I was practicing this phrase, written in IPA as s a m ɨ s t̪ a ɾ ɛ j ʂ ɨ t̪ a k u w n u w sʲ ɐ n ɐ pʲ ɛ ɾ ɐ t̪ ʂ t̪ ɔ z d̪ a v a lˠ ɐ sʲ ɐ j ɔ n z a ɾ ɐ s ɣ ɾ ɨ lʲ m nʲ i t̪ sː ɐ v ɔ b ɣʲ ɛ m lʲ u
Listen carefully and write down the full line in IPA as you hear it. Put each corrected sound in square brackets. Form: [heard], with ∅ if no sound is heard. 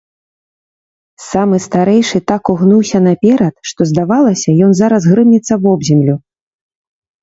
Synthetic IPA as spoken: s a m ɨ s t̪ a ɾ ɛ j ʂ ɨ t̪ a k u [ɣ] n u w sʲ ɐ n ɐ pʲ ɛ ɾ ɐ t̪ ʂ t̪ ɔ z d̪ a v a lˠ ɐ sʲ ɐ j ɔ n z a ɾ ɐ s ɣ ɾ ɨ [∅] m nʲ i t̪ sː ɐ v ɔ b [zʲ] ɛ m lʲ u